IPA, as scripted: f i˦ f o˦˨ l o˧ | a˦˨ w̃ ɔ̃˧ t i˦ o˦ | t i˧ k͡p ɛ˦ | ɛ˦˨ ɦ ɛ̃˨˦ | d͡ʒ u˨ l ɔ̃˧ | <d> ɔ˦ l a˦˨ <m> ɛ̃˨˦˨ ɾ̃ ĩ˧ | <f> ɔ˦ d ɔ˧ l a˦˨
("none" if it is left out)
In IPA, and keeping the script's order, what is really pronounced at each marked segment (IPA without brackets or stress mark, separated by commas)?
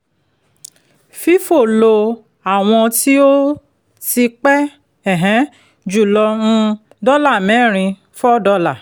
d, m, f